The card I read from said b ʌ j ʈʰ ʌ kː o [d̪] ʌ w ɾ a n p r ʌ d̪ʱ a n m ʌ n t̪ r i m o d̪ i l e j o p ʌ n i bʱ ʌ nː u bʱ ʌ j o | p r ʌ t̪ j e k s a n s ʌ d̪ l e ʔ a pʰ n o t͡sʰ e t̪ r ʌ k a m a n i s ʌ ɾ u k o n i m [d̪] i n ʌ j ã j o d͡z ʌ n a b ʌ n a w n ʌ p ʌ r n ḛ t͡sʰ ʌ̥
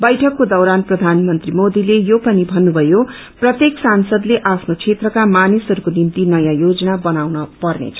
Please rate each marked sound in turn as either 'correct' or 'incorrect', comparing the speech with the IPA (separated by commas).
correct, incorrect